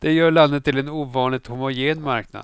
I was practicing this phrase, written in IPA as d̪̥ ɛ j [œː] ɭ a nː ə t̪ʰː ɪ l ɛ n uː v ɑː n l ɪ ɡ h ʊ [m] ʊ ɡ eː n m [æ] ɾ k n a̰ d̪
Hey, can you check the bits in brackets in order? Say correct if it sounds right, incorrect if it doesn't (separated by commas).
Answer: correct, correct, incorrect